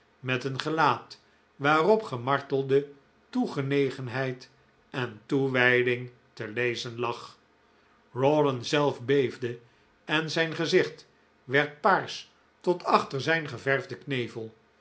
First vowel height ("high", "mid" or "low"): mid